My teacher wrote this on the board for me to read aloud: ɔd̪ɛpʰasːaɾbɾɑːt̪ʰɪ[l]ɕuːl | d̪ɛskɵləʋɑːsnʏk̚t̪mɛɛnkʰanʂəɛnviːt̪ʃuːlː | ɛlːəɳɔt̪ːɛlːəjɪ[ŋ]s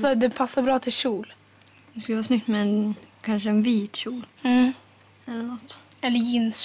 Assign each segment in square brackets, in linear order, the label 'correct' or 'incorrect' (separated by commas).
correct, incorrect